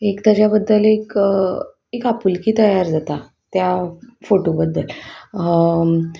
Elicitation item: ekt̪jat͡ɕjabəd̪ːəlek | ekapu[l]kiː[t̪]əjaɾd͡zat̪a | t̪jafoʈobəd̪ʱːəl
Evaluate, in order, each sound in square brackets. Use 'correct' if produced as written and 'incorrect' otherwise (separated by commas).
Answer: correct, correct